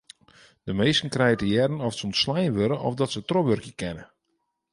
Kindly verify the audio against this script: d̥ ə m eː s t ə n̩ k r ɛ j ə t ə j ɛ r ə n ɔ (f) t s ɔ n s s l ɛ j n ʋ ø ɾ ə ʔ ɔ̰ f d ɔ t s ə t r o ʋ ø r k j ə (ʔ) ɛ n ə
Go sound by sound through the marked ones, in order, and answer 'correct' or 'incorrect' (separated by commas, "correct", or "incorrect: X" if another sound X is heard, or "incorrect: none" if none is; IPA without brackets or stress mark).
correct, incorrect: k